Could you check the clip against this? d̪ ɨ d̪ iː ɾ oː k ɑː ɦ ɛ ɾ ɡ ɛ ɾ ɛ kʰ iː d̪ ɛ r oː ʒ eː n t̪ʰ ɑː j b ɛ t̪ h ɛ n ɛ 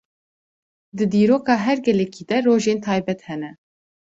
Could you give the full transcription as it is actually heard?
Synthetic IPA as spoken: d̪ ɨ d̪ iː ɾ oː k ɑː ɦ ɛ ɾ ɡ ɛ l ɛ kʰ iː d̪ ɛ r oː ʒ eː n t̪ʰ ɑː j b ɛ t̪ h ɛ n ɛ